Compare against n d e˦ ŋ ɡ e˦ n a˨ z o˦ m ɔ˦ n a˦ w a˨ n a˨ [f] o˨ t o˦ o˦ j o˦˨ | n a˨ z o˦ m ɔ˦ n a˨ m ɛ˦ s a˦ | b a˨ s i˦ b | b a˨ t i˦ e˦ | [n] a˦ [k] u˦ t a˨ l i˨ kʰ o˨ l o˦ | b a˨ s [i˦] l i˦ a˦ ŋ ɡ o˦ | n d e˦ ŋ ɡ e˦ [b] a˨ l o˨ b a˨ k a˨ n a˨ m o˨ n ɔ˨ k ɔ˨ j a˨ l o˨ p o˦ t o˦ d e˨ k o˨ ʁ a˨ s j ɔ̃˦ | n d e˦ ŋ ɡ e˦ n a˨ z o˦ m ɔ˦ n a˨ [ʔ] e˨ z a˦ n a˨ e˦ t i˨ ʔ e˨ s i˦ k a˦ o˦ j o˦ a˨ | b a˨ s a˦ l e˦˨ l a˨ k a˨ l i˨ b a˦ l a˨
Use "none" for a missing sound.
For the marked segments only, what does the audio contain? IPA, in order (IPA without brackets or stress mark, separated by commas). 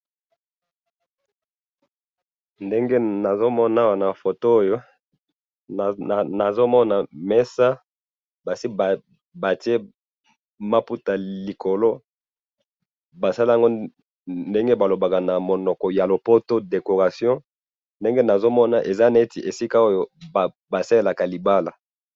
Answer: f, m, p, a˦, b, ʔ